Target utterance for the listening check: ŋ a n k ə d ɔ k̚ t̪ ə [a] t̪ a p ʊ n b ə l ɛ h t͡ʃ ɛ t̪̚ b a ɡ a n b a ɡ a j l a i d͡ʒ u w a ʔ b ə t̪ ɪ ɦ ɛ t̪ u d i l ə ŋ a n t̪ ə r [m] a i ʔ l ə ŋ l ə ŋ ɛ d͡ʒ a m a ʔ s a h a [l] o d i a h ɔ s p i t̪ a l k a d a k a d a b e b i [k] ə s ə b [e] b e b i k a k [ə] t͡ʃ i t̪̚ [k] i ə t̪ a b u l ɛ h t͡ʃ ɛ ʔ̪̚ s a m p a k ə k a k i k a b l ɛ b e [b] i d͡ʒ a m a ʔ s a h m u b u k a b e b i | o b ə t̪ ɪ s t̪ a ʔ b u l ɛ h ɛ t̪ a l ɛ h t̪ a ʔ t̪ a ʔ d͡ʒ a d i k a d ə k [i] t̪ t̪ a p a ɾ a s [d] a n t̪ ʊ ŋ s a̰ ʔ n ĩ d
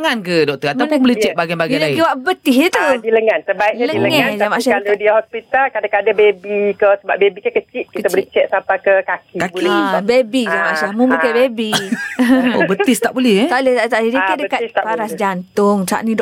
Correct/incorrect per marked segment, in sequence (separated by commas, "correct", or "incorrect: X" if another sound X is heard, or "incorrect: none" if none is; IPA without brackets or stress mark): correct, incorrect: b, correct, correct, incorrect: a, correct, correct, correct, incorrect: a, incorrect: d͡ʒ